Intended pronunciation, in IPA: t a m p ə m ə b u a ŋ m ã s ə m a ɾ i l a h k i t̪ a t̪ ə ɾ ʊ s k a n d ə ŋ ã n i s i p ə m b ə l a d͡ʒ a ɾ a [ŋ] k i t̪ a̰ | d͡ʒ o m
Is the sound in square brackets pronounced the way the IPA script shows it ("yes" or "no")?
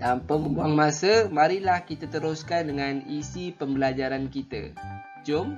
no